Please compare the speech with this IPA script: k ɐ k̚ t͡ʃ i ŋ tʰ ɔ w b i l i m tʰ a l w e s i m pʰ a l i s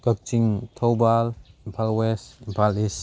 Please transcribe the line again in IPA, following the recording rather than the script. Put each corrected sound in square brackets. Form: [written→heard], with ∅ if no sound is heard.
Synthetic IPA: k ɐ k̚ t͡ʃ i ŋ tʰ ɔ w b [i→a] l i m [tʰ→pʰ] a l w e s i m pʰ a l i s